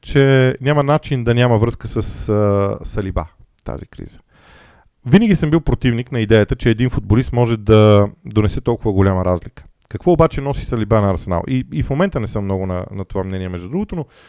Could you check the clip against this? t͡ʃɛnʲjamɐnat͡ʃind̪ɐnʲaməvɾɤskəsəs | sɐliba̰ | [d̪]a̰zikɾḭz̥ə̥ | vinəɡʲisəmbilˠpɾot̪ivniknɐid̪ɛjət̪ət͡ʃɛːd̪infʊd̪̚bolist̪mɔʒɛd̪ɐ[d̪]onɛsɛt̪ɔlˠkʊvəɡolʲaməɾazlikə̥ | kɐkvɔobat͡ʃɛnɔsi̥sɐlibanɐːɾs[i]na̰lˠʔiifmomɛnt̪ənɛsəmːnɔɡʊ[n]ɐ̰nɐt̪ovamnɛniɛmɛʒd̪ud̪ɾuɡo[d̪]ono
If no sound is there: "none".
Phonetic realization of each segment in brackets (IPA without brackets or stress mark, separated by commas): t̪, d̪, ɛ, n, t̪